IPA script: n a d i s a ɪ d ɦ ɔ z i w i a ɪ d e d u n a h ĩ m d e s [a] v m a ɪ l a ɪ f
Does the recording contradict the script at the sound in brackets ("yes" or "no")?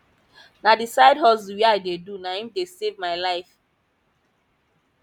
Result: yes